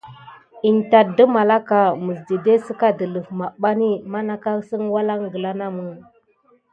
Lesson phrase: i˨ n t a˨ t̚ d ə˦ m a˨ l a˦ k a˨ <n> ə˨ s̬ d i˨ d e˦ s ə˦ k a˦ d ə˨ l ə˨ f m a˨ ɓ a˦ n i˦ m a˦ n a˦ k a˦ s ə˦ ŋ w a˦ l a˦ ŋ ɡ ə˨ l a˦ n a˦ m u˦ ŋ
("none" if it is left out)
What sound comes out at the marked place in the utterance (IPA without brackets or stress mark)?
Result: m